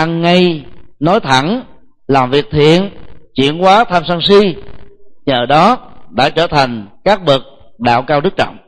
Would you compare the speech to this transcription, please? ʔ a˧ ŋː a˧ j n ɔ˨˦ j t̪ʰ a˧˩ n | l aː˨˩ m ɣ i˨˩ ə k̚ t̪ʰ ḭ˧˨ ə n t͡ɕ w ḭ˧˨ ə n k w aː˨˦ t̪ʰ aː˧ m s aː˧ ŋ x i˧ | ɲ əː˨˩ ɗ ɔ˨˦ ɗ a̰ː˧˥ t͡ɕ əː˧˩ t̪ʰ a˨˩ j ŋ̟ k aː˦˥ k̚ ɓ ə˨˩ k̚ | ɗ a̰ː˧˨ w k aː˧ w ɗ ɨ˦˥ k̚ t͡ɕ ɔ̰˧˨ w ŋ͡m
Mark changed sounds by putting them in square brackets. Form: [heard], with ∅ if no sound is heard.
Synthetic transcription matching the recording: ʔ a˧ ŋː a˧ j n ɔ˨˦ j t̪ʰ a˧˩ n | l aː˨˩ m [v] i˨˩ ə k̚ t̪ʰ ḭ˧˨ ə n t͡ɕ w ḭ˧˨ ə n k w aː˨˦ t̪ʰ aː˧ m s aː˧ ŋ [s] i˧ | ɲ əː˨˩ ɗ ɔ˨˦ ɗ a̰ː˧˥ t͡ɕ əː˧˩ t̪ʰ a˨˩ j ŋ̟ k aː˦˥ k̚ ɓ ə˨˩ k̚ | ɗ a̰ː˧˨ w k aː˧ w ɗ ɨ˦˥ k̚ t͡ɕ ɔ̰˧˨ w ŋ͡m